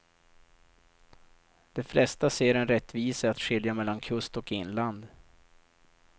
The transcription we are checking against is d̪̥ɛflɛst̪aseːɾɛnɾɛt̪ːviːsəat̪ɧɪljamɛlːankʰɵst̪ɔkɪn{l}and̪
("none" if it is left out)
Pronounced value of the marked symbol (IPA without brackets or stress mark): l